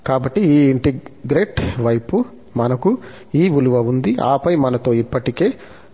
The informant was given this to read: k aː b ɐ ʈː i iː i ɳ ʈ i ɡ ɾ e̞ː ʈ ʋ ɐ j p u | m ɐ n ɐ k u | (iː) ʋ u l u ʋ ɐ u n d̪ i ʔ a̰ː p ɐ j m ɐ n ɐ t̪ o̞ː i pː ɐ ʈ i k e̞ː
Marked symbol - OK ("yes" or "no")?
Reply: yes